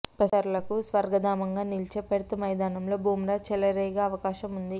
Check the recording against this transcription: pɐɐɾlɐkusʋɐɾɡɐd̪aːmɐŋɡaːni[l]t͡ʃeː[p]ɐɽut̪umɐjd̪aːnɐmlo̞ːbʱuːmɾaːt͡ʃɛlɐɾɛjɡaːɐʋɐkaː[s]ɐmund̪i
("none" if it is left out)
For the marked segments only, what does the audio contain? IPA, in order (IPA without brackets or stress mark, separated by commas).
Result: l, p, ʃ